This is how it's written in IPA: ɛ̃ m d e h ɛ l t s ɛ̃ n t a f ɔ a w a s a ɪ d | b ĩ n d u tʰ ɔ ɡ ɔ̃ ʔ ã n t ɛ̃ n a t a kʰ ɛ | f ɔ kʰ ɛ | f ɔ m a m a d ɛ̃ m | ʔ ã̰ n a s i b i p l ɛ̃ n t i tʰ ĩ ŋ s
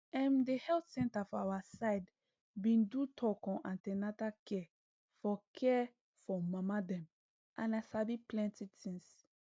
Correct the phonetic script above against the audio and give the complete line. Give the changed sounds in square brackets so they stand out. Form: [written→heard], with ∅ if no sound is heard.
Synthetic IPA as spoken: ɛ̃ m d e h ɛ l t s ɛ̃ n t a f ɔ a w a s a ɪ d | b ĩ n d u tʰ ɔ [ɡ→k] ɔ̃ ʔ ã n t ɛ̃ n a t a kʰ ɛ | f ɔ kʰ ɛ | f ɔ m a m a d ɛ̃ m | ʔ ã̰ n a s [i→a] b i p l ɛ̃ n t i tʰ ĩ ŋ s